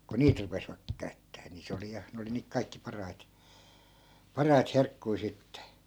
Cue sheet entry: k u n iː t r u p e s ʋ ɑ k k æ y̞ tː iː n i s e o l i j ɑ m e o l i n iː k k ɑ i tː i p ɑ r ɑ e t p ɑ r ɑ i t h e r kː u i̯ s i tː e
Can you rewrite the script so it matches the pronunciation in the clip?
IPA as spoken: k u n iː t r u p e s ʋ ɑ k k æ y̞ tː æː n i s e o l i j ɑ n e o l i n iː k k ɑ i kː i p ɑ r ɑ i t p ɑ r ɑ i t h e r kː u i̯ s i tː e